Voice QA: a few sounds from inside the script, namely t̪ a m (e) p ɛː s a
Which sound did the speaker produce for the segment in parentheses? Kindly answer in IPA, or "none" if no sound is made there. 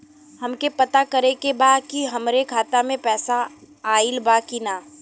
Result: ẽ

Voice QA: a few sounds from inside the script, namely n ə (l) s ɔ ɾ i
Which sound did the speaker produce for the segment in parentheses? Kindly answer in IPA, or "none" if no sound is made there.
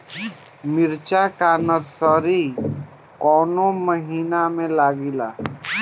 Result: ɾ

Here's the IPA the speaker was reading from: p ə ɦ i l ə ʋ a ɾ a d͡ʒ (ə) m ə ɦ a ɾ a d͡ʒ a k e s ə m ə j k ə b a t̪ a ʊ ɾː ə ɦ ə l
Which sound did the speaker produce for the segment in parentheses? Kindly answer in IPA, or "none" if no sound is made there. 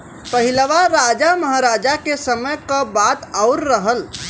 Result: a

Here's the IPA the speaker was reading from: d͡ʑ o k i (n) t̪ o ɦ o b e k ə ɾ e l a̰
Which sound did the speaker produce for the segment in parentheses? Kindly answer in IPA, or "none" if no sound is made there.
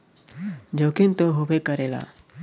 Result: n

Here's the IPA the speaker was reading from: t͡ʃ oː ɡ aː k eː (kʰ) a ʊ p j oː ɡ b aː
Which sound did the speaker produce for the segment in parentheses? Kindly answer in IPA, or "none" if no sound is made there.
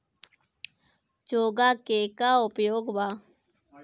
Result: k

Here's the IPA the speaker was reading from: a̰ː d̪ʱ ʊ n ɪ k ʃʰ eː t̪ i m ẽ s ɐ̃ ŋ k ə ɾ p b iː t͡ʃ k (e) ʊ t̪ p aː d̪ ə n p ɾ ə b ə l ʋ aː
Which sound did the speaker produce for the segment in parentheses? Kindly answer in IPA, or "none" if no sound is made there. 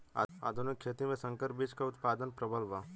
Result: a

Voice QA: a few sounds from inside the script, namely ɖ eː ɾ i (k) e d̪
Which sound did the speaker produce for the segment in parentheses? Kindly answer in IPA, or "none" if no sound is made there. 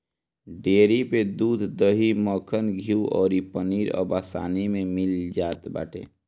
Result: p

